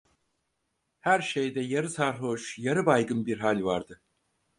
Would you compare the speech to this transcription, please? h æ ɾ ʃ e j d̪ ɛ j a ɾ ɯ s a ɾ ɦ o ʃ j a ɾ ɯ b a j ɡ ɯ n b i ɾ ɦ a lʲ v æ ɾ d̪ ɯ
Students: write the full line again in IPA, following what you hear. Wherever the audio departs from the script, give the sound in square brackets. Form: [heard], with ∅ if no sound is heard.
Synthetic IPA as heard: h æ ɾ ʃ e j d̪ ɛ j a ɾ ɯ s a ɾ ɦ o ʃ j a ɾ ɯ b a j ɡ ɯ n b i ɾ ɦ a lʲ v [a] ɾ d̪ ɯ